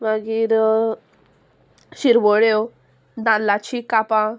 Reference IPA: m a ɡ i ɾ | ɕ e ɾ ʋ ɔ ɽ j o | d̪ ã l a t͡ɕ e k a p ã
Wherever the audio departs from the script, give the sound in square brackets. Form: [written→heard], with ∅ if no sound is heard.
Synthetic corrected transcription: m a ɡ i ɾ | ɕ [e→i] ɾ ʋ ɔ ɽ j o | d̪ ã l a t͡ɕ [e→i] k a p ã